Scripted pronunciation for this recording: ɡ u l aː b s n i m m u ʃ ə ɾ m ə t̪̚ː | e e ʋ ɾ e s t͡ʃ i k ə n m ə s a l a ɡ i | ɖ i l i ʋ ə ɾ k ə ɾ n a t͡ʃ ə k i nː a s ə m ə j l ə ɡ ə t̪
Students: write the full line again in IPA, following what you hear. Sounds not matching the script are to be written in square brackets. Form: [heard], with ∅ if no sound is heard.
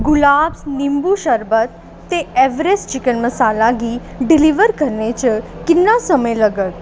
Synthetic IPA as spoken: ɡ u l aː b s n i m [b] u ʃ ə ɾ [b] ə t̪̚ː | e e ʋ ɾ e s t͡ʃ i k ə n m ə s a l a ɡ i | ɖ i l i ʋ ə ɾ k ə ɾ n [e] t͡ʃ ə k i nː a s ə m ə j l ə ɡ ə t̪